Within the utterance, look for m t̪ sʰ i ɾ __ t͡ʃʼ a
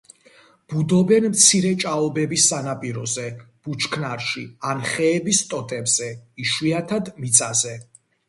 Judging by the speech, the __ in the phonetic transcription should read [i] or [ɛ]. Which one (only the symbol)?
ɛ